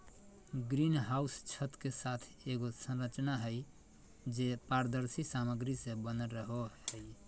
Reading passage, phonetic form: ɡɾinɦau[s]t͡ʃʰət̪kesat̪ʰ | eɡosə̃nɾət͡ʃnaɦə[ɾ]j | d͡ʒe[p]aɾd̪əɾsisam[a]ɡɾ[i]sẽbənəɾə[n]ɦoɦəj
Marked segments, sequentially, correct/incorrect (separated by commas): correct, incorrect, correct, incorrect, correct, incorrect